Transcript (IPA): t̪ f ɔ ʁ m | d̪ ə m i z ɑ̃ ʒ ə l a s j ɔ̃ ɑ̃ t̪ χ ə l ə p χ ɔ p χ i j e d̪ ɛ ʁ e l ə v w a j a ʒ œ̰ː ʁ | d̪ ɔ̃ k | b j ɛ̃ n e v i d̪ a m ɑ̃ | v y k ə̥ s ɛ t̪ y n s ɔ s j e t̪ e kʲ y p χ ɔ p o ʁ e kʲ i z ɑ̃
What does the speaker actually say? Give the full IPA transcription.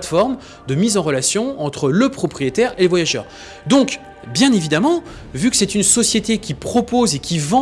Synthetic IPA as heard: t̪ f ɔ ʁ m | d̪ ə m i z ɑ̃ ʁ ə l a s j ɔ̃ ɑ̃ t̪ χ ə l ə p χ ɔ p χ i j e t̪ ɛ ʁ e l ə v w a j a ʒ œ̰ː ʁ | d̪ ɔ̃ k | b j ɛ̃ n e v i d̪ a m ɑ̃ | v y k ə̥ s ɛ t̪ y n s ɔ s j e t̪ e kʲ i p χ ɔ p o z e kʲ i v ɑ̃